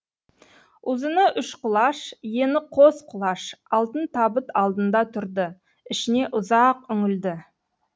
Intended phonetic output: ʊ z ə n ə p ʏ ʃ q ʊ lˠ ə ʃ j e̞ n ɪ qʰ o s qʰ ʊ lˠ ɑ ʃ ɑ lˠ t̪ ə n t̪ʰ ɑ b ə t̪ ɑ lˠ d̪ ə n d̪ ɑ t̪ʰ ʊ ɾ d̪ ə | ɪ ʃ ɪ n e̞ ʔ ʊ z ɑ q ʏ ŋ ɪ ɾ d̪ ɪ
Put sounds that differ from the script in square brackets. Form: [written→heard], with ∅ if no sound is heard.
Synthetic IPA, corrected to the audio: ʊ z ə n ə [p→ʔ] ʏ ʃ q ʊ lˠ [ə→ɑ] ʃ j e̞ n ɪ qʰ o s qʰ ʊ lˠ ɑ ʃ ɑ lˠ t̪ ə n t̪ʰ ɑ b ə t̪ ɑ lˠ d̪ ə n d̪ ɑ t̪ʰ ʊ ɾ d̪ ə | ɪ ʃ ɪ n e̞ ʔ ʊ z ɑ q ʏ ŋ ɪ [ɾ→l] d̪ ɪ